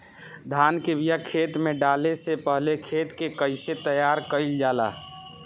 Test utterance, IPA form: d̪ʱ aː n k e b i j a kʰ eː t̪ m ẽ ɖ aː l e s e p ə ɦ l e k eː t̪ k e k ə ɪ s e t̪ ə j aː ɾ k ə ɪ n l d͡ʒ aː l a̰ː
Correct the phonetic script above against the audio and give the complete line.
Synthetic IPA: d̪ʱ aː n k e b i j a kʰ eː t̪ m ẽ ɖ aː l e s e p ə ɦ l e kʰ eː t̪ k e k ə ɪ s e t̪ ə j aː ɾ k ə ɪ l d͡ʒ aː l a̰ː